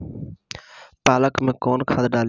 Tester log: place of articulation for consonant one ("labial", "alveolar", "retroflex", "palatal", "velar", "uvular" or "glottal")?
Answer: labial